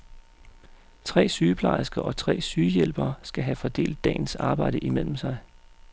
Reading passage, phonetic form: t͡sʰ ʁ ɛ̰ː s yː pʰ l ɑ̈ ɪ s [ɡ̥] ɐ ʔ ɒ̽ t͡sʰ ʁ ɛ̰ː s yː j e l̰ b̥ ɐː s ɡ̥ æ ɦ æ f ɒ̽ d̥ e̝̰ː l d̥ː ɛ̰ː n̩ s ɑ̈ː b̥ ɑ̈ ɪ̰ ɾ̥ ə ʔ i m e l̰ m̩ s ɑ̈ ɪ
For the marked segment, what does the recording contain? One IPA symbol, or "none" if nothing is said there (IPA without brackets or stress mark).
ɡ̥